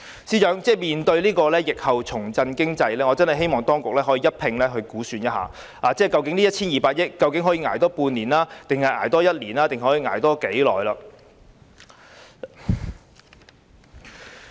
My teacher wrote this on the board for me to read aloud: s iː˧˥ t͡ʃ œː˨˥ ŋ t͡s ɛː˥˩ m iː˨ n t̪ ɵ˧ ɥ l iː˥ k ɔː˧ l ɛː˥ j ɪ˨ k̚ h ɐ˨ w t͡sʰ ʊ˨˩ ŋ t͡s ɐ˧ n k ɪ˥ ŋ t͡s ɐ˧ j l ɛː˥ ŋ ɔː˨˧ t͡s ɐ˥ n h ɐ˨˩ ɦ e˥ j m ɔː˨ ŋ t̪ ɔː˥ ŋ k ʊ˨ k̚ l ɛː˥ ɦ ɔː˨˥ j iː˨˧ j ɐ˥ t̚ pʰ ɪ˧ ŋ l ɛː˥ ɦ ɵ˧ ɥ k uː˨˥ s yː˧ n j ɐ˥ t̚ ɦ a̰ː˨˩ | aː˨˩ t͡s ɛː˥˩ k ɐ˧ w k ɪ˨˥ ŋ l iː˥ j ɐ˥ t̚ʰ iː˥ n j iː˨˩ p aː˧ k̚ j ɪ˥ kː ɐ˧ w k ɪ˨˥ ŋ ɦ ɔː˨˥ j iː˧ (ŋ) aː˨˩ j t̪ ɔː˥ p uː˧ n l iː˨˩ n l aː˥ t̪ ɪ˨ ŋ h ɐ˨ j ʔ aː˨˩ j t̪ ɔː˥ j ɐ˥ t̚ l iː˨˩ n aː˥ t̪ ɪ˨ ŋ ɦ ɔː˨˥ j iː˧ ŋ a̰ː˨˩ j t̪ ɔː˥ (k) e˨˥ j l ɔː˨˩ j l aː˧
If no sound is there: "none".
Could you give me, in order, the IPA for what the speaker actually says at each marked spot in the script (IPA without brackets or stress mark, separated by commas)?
ŋ, k